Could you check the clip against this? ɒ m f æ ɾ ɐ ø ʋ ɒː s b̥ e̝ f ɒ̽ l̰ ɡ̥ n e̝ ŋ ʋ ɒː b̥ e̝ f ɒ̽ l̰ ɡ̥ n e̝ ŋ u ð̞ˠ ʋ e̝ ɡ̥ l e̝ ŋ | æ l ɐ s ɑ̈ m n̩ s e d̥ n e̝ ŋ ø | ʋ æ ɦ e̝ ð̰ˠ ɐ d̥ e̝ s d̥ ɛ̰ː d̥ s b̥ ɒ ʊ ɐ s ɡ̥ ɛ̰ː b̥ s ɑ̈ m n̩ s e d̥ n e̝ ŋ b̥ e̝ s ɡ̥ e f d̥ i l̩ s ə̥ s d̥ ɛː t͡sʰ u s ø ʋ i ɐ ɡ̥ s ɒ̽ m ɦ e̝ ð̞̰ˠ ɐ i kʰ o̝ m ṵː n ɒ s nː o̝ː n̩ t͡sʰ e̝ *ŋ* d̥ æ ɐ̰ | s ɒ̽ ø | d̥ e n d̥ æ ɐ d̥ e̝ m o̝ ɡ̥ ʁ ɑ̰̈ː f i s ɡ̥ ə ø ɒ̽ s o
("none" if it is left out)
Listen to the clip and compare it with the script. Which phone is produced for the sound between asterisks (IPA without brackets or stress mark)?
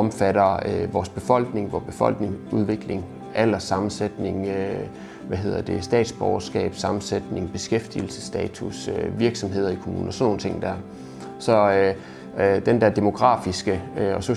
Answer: ŋ